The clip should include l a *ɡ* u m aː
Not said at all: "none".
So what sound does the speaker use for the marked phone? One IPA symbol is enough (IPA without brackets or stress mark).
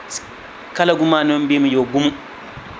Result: ɡ